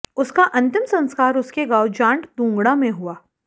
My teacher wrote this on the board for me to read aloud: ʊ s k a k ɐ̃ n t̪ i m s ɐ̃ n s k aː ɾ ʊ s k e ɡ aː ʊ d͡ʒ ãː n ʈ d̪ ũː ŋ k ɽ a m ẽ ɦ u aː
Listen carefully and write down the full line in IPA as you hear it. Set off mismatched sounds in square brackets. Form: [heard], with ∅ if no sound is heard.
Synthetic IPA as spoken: ʊ s k a [ʔ] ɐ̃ n t̪ [ɪ] m s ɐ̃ n s k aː ɾ ʊ s k e ɡ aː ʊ d͡ʒ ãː [ɳ] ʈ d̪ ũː ŋ [ɡ] ɽ a m ẽ ɦ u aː